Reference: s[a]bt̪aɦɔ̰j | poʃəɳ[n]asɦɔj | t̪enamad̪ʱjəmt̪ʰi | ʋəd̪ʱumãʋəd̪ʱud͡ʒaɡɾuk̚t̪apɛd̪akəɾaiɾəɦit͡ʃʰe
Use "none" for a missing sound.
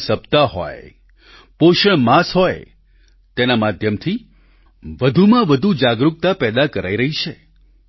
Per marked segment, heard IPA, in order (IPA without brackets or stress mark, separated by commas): ə, m